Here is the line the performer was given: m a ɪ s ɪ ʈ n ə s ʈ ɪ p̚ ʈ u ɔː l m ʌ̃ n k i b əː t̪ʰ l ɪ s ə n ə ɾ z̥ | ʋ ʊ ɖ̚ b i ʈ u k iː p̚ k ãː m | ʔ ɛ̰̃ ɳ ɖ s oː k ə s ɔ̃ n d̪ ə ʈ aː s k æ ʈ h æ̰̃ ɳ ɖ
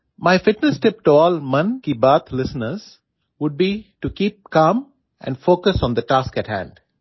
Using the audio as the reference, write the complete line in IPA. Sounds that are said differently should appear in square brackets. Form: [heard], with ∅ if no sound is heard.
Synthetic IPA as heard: m a ɪ [f] ɪ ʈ n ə s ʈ ɪ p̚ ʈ u ɔː l m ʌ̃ n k i b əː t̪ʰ l ɪ s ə n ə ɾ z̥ | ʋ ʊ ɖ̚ b i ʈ u k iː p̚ k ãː m | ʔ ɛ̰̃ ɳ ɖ [f] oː k ə s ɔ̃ n d̪ ə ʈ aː s k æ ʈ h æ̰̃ ɳ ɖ

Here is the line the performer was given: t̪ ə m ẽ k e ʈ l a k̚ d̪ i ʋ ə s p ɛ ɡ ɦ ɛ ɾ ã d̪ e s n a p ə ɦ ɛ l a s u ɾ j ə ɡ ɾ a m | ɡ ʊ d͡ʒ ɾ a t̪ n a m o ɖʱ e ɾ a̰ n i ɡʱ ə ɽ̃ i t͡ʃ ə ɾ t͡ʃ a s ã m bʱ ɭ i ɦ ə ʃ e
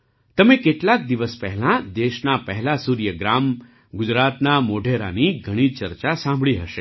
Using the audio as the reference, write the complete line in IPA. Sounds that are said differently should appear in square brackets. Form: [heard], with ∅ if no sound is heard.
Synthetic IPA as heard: t̪ ə m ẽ k e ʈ l a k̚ d̪ i ʋ ə s p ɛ [∅] ɦ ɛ [l] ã d̪ e [ʃ] n a p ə ɦ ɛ l a s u ɾ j ə ɡ ɾ a m | ɡ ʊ d͡ʒ ɾ a t̪ n a m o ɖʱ e ɾ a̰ n i ɡʱ ə ɽ̃ i t͡ʃ ə ɾ t͡ʃ a s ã m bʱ ɭ i ɦ ə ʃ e

